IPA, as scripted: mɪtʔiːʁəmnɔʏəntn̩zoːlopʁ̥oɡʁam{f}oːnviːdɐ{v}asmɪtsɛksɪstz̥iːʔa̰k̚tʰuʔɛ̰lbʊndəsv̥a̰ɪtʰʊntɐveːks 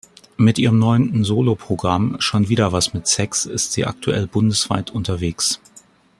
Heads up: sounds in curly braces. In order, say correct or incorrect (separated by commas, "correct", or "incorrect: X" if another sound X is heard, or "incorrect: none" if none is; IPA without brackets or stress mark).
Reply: incorrect: ʃ, correct